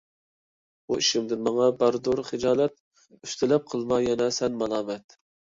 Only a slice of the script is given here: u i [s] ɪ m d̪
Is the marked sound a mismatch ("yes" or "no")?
yes